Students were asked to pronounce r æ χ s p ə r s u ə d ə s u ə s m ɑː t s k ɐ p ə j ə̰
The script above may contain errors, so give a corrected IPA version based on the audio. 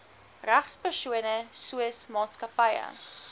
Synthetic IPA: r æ χ s p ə r s u ə n ə s u ə s m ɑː t s k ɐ p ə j ə̰